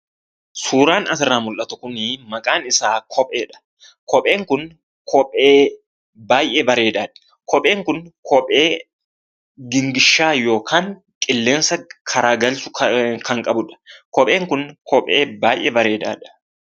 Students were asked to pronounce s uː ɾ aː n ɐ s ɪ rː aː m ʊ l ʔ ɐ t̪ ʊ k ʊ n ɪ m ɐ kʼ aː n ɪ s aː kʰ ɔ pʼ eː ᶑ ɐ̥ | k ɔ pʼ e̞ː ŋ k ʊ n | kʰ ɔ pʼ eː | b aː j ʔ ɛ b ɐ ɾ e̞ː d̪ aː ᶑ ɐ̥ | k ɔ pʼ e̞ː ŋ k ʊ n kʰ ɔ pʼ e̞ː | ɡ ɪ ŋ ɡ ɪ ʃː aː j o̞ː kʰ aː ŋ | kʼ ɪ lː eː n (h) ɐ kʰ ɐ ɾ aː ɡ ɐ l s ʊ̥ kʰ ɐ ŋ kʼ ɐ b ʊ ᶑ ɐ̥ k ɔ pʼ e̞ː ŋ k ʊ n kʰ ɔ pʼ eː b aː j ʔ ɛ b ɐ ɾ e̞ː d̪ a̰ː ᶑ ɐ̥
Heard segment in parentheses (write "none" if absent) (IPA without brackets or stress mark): s